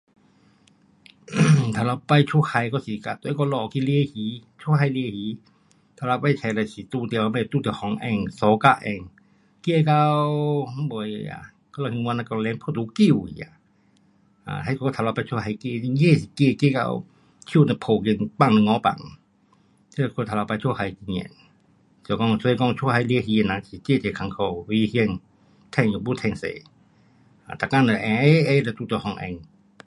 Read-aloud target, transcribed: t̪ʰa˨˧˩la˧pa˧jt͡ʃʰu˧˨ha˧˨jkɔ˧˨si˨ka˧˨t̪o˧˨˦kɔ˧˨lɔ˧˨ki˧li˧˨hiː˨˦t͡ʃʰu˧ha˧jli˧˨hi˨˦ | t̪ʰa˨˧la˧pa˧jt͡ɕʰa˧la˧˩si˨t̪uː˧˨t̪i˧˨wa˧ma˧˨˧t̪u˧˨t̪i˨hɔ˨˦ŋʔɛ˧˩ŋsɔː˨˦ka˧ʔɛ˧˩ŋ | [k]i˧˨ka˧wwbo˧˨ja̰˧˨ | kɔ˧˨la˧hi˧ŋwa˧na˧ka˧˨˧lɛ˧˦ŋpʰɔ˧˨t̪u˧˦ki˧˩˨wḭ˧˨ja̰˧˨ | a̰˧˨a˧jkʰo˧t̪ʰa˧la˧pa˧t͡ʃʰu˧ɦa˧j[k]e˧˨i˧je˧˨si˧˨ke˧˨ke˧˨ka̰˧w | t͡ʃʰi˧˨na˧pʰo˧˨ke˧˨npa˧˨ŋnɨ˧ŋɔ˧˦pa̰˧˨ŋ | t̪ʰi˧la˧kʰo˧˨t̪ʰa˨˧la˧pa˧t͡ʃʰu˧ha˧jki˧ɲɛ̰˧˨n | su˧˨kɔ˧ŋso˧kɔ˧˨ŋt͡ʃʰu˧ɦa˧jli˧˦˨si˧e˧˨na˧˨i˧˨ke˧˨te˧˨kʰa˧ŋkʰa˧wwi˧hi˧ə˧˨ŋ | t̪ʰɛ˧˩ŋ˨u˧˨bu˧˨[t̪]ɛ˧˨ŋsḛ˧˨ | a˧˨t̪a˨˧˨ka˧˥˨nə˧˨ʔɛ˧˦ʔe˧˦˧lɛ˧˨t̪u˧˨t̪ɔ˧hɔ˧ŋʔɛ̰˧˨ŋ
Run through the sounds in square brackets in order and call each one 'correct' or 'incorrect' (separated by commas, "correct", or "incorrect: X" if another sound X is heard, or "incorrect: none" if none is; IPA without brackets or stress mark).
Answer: correct, correct, incorrect: t̪ʰ